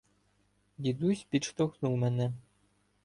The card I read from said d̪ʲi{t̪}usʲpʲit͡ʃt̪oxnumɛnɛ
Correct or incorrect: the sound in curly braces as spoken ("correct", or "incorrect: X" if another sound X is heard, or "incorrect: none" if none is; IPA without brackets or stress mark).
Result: incorrect: d̪